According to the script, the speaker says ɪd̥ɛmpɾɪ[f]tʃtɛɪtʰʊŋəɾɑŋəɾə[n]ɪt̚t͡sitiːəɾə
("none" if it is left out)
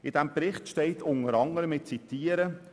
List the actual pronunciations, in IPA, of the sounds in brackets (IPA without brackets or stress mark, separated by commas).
χ, m